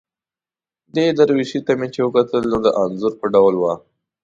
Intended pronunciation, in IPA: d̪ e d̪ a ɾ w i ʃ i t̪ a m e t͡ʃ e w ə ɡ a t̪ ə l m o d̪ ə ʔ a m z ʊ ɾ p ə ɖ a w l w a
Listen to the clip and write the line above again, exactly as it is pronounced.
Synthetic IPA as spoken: d̪ e d̪ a ɾ w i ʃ i t̪ a m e t͡ʃ e w ə k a t̪ ə l n o d̪ ə ʔ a n z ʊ ɾ p ə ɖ a w l w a

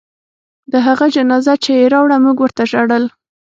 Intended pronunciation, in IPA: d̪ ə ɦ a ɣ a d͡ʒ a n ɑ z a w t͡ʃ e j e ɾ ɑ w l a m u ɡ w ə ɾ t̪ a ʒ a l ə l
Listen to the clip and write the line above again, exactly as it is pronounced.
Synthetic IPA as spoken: d̪ ə ɦ a ɣ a d͡ʒ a n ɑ z a t͡ʃ e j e ɾ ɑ w ɽ a m u ɡ w ə ɾ t̪ a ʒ a ɽ ə l

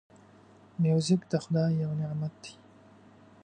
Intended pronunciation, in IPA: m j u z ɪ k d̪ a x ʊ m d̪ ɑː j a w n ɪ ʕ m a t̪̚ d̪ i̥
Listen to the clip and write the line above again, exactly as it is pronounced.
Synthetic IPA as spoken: m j u z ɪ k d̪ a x ʊ d̪ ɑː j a w n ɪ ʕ m a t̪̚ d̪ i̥

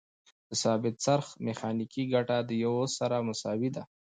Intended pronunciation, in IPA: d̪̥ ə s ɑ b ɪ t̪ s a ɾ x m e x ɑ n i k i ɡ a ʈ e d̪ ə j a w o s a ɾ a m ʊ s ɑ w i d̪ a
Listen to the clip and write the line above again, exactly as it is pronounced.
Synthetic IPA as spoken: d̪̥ ə s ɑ b ɪ t̪ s a ɾ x m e x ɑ n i k i ɡ a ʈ a d̪ ə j a w o s a ɾ a m ʊ s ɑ w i d̪ a

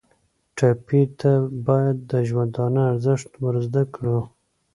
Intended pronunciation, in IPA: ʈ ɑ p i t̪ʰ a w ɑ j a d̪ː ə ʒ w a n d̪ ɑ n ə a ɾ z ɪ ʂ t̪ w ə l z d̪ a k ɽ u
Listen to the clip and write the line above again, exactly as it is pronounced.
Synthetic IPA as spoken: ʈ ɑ p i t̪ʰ a b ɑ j a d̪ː ə ʒ w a n d̪ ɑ n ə a ɾ z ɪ ʂ t̪ w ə ɾ z d̪ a k ɽ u

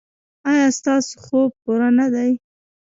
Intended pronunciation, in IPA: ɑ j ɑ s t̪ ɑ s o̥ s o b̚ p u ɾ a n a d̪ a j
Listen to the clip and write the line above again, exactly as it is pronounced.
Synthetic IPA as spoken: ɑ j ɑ s t̪ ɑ s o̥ x o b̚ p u ɾ a n a d̪ a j

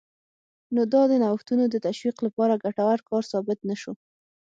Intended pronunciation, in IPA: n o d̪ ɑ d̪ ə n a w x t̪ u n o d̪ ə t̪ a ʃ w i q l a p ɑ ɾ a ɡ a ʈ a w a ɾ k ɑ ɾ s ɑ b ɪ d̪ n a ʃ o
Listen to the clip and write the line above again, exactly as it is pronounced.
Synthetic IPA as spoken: n o d̪ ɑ d̪ ə n a w x t̪ u n o d̪ ə t̪ a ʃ w i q l a p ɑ ɾ a ɡ a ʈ a w a ɾ k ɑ ɾ s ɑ b ɪ t̪ n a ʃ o

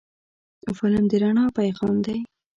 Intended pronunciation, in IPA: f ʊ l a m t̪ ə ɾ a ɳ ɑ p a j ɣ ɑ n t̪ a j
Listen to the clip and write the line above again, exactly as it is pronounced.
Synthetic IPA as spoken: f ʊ l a m d̪ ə ɾ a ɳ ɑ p a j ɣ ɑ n d̪ a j

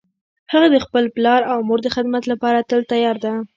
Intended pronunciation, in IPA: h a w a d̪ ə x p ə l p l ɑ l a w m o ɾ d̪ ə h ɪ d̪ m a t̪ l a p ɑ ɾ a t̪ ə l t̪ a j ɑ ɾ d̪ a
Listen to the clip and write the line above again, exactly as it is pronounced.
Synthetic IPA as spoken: h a ɣ a d̪ ə x p ə l p l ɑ ɾ a w m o ɾ d̪ ə x ɪ d̪ m a t̪ l a p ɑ ɾ a t̪ ə l t̪ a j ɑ ɾ d̪ a

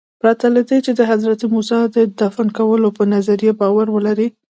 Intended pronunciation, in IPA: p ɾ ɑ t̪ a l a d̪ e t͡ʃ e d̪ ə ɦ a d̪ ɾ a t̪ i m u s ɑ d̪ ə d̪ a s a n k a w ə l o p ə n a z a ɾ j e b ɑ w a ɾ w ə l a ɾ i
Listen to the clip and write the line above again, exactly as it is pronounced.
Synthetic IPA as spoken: p ɾ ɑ t̪ a l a d̪ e t͡ʃ e d̪ ə ɦ a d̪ ɾ a t̪ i m u s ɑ d̪ ə d̪ a f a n k a w ə l o p ə n a z a ɾ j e b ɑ w a ɾ w ə l a ɾ i

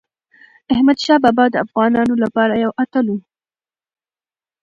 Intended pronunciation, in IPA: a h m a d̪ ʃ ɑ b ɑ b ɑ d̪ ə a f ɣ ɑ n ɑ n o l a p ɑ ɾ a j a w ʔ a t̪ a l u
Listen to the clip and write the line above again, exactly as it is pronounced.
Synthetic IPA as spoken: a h m a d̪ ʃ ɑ b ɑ b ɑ d̪ ə a f ɣ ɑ n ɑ n o l a p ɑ ɾ a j a w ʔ a t̪ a l u

